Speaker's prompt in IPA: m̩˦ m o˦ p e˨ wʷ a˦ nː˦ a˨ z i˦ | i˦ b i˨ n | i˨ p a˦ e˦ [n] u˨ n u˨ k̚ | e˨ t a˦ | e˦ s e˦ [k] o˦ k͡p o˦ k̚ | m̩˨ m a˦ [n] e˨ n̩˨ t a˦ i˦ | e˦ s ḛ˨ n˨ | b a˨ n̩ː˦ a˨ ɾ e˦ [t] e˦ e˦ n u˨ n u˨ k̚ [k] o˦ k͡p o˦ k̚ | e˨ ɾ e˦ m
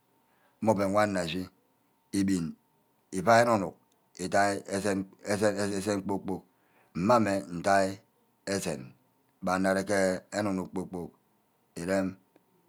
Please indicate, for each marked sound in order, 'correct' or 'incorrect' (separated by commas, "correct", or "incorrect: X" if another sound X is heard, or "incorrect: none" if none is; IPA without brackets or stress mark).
correct, incorrect: k͡p, incorrect: m, incorrect: k, incorrect: k͡p